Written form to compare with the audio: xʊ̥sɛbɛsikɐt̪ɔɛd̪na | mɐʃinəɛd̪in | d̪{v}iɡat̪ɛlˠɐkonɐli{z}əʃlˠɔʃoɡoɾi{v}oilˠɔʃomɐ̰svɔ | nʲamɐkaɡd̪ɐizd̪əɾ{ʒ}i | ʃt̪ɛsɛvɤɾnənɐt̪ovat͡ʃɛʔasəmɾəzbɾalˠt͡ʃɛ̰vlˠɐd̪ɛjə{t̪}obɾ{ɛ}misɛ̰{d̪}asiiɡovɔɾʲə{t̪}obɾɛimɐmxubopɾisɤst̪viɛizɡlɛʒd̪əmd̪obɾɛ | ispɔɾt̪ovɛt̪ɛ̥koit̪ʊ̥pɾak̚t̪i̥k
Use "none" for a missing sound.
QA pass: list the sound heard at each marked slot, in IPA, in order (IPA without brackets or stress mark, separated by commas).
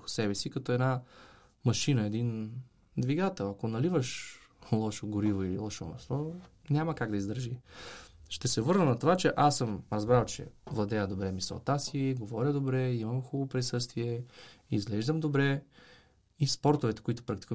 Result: v, v, v, ʒ, d̪, ɛ, t̪, d̪